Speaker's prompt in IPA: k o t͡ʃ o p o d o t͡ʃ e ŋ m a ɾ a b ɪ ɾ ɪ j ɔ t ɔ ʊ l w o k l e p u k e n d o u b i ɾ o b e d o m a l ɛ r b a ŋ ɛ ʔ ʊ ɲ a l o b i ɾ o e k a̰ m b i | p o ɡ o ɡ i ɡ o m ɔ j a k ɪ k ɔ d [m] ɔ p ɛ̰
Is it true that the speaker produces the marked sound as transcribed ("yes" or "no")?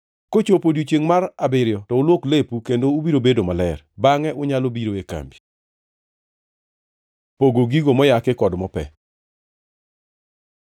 yes